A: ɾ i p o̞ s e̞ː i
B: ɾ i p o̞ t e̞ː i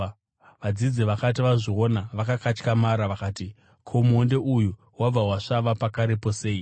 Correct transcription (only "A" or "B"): A